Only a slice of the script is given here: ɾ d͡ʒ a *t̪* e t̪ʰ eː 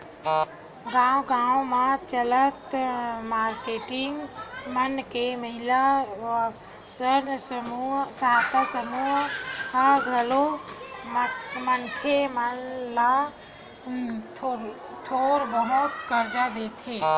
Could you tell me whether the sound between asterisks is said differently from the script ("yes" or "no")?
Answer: yes